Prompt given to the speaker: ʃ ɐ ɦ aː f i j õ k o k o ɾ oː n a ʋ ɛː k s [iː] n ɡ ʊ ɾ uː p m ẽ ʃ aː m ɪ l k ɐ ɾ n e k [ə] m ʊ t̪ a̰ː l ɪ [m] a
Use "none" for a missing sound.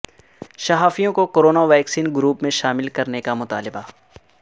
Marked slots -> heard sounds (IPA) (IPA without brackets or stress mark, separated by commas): iː, a, b